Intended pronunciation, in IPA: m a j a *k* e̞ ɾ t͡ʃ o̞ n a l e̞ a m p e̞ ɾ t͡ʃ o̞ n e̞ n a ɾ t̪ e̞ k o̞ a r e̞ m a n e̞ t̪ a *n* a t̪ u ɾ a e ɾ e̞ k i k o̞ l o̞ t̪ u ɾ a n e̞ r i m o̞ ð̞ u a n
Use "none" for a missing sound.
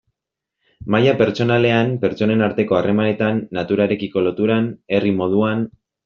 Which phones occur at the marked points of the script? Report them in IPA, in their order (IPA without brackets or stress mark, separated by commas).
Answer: p, nː